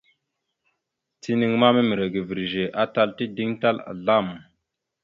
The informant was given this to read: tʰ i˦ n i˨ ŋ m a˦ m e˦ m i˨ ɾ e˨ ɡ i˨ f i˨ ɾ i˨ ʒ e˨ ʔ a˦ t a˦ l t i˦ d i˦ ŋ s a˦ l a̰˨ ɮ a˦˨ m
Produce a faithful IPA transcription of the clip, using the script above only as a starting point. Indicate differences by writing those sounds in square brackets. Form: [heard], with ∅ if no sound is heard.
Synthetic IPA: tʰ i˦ n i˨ ŋ m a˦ m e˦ m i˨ ɾ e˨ ɡ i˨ [v] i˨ ɾ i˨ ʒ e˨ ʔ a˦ t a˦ l t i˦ d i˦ ŋ [t] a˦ l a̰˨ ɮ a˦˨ m